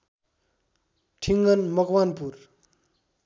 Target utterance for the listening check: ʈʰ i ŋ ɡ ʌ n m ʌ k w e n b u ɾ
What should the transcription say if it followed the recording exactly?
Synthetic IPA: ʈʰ i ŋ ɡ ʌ n m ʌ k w a n p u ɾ